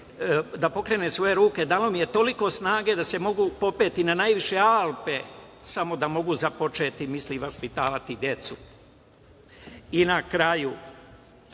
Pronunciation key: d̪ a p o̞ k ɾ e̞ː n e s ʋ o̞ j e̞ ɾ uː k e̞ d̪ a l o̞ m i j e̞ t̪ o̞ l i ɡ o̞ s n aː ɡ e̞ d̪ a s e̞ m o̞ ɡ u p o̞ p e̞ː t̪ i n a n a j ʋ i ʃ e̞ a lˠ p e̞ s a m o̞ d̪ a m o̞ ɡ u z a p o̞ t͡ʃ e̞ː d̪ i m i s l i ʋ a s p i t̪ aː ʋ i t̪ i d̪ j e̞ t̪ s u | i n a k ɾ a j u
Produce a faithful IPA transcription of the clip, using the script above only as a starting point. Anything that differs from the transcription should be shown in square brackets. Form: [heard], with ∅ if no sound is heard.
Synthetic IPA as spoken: d̪ a p o̞ k ɾ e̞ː n e s ʋ o̞ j e̞ ɾ uː k e̞ d̪ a l o̞ m i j e̞ t̪ o̞ l i [k] o̞ s n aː ɡ e̞ d̪ a s e̞ m o̞ ɡ u p o̞ p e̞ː t̪ i n a n a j ʋ i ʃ e̞ a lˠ p e̞ s a m o̞ d̪ a m o̞ ɡ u z a p o̞ t͡ʃ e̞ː [t̪] i m i s l i ʋ a s p i t̪ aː ʋ [a] t̪ i d̪ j e̞ t̪ s u | i n a k ɾ a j u